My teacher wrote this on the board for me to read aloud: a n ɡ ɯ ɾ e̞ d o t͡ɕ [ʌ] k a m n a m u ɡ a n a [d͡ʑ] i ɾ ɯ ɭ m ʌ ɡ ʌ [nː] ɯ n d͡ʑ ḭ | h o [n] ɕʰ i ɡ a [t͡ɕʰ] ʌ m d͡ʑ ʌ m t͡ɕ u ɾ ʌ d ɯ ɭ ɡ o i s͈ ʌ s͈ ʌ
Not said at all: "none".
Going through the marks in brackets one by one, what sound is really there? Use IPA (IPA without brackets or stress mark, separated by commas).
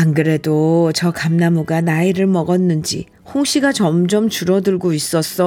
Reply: ʌ, none, nː, ŋ, t͡ɕ